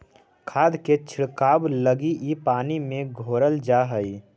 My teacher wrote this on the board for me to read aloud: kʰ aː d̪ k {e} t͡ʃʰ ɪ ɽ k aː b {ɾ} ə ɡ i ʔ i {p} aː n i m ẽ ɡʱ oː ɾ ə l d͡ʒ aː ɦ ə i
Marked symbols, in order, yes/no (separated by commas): yes, no, yes